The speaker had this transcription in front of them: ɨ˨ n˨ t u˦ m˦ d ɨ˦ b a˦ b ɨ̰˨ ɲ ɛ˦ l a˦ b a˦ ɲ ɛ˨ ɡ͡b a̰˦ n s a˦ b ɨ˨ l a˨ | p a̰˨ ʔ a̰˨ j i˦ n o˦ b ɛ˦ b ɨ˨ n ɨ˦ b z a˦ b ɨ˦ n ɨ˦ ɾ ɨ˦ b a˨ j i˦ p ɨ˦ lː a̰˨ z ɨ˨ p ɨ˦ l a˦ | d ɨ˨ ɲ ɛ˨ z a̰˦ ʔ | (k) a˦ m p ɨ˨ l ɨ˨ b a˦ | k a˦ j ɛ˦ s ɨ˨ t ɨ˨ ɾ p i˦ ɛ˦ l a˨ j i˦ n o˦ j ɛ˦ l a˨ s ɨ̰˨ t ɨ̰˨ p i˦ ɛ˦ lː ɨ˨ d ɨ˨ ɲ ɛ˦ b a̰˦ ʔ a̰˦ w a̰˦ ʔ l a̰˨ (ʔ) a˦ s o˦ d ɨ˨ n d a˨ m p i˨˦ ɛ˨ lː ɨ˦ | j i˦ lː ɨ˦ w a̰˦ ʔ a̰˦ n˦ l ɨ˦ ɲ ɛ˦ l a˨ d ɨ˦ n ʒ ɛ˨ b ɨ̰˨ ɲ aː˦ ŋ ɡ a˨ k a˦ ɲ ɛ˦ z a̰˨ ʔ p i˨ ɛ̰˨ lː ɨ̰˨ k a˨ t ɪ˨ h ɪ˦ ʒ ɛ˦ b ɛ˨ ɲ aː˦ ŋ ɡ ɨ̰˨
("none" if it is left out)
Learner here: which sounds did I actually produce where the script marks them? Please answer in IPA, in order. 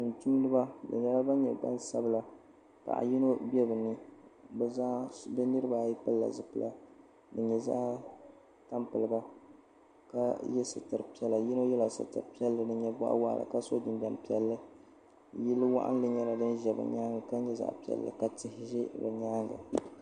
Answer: t, k

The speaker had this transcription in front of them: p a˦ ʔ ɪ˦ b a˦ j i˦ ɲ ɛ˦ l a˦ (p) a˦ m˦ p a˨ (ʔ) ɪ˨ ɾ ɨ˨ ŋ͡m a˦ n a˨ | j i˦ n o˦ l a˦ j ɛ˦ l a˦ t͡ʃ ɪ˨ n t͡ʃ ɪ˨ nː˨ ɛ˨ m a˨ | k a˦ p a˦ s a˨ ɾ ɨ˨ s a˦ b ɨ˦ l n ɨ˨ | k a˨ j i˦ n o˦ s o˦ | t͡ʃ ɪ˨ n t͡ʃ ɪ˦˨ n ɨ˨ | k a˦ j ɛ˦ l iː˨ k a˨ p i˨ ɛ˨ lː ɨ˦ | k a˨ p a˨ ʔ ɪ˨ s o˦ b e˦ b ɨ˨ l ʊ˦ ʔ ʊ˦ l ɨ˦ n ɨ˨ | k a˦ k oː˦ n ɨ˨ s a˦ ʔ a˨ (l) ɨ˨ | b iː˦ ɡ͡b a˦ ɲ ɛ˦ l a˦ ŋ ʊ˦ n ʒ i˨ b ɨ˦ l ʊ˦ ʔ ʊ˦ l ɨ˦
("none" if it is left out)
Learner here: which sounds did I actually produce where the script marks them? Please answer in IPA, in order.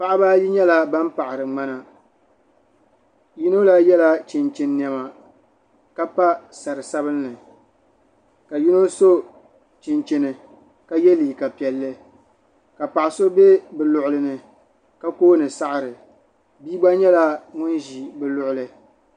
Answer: b, ʔ, ɾ

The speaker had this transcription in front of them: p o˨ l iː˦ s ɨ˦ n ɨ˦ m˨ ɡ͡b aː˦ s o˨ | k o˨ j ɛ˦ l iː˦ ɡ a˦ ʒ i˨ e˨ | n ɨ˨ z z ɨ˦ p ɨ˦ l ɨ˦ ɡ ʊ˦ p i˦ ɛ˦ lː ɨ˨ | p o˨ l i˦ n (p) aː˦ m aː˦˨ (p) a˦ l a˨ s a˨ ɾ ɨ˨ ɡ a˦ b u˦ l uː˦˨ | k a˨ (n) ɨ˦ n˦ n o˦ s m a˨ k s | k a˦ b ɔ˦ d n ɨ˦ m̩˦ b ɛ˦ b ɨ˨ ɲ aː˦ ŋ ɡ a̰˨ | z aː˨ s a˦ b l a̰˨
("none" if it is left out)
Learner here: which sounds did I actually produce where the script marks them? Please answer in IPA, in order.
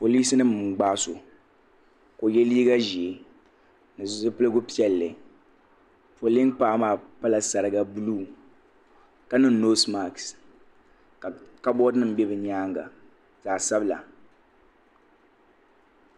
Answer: p, p, n

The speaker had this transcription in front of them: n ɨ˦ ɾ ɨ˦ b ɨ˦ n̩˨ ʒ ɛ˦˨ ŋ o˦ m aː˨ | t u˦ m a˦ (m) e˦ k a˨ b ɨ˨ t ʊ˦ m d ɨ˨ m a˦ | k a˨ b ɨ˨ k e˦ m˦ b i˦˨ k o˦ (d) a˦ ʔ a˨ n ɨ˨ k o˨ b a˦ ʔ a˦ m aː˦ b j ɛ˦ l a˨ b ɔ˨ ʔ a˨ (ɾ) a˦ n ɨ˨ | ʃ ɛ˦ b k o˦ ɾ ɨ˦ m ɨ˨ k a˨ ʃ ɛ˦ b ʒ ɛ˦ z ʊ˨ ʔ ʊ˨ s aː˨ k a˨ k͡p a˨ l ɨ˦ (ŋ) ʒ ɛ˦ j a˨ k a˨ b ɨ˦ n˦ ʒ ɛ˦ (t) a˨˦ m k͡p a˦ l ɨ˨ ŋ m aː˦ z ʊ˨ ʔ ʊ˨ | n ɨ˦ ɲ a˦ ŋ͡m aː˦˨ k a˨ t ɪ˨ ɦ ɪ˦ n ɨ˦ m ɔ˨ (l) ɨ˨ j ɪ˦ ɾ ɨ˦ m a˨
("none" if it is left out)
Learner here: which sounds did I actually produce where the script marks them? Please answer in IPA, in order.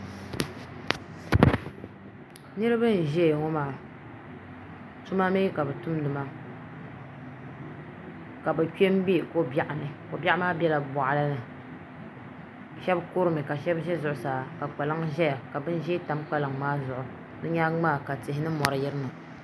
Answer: m, b, l, ŋ, t, ɾ

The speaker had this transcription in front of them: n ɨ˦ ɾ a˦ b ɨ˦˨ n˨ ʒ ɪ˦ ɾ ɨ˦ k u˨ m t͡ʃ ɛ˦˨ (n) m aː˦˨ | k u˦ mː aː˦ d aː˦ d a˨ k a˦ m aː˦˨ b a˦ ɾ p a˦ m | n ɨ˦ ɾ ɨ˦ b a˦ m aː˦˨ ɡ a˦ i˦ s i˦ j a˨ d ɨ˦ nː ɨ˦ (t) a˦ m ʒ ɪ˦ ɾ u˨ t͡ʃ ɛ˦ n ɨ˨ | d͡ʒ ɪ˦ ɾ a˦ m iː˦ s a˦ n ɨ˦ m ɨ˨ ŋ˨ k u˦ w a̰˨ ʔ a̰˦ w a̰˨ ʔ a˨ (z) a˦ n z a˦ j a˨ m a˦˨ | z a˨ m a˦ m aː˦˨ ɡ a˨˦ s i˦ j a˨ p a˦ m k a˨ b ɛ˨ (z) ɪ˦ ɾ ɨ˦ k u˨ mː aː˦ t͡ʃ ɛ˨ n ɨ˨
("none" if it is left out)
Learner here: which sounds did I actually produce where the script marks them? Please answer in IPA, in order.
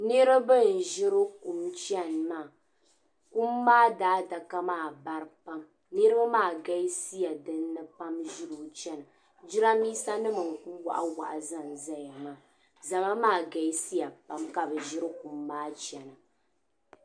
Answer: n, p, z, ʒ

